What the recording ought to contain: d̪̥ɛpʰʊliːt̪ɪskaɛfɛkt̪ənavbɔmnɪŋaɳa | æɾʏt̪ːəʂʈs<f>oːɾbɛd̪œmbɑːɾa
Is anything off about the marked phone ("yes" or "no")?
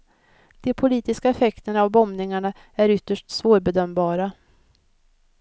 yes